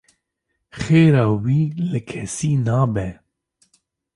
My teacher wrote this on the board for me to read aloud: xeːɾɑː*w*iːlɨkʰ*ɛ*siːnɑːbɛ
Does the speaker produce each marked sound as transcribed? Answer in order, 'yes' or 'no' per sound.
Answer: yes, yes

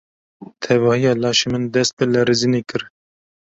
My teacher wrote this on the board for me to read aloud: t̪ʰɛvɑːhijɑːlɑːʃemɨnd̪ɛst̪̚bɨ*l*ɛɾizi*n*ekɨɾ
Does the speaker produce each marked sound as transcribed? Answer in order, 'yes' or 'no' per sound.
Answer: yes, yes

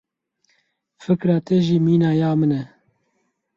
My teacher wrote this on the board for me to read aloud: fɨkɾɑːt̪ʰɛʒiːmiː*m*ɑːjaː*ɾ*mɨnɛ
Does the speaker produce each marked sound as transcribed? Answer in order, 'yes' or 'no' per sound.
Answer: no, no

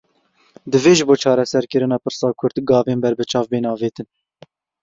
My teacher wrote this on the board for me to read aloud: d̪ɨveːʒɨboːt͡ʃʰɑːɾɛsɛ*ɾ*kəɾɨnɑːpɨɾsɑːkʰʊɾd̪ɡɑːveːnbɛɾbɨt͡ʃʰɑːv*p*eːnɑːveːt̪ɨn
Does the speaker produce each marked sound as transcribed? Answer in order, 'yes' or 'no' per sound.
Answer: yes, no

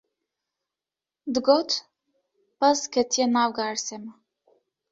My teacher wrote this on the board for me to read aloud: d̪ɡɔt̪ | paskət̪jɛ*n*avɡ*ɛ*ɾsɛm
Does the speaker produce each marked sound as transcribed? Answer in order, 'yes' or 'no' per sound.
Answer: yes, no

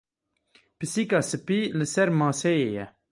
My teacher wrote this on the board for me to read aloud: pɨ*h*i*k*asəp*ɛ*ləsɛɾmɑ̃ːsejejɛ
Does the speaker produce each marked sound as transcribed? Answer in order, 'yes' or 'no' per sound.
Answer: no, yes, no

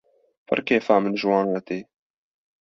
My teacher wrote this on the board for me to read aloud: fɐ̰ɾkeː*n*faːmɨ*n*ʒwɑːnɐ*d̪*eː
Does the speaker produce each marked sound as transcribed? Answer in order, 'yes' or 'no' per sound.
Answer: no, yes, no

